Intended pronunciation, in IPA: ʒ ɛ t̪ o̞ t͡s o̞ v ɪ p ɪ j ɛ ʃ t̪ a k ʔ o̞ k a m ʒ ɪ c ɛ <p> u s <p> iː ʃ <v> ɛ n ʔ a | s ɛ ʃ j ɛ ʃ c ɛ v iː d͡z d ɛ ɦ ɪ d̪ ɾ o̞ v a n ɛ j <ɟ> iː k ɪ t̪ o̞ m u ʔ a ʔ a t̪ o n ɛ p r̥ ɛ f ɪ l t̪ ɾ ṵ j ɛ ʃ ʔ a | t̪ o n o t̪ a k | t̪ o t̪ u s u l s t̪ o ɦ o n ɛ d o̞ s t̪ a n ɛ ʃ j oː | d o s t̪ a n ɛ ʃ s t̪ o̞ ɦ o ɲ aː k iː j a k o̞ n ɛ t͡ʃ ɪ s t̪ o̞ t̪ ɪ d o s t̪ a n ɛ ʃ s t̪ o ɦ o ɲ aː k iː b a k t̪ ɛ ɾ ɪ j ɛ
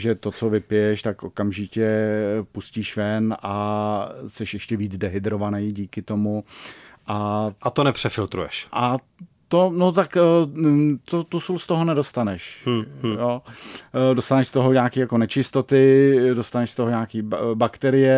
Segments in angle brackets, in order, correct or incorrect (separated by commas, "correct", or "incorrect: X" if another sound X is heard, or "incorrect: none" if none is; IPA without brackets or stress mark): correct, incorrect: c, correct, correct